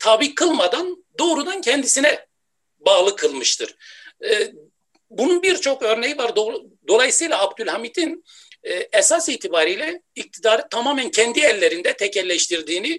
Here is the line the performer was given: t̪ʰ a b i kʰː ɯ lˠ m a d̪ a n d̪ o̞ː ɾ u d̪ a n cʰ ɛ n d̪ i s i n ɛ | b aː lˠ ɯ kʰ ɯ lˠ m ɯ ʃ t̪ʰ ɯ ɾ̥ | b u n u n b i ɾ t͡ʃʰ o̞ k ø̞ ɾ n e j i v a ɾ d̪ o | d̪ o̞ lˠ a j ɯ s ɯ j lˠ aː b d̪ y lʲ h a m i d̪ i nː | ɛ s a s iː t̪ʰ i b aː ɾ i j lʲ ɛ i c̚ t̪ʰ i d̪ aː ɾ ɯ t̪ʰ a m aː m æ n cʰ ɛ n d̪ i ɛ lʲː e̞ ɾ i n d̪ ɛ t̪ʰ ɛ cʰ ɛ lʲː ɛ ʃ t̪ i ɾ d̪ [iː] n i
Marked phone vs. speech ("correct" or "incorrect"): correct